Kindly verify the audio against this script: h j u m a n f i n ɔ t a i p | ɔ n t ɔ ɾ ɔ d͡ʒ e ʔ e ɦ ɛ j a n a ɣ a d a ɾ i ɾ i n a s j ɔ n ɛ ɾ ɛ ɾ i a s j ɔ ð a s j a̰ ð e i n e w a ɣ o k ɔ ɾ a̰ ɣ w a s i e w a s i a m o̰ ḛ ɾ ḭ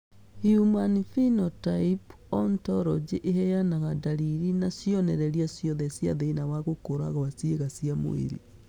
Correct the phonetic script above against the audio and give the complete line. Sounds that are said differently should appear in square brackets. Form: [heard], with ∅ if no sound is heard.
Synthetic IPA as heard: h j u m a n f i n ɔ t a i p | ɔ n t ɔ ɾ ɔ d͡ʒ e ʔ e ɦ ɛ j a n a ɣ a d a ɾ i ɾ i n a s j ɔ n ɛ ɾ ɛ ɾ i a s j ɔ ð [ɛ] s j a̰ ð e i n [a] w a ɣ o k [o] ɾ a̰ ɣ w a s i e [ɣ] a s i a m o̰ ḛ ɾ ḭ